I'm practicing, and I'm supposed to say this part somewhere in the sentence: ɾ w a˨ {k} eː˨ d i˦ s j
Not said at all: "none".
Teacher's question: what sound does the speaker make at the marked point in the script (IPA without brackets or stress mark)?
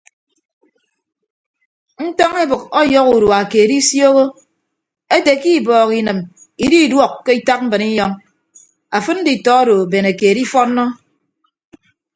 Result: k